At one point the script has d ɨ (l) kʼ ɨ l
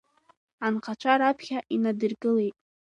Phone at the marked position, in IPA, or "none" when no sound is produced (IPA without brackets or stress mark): r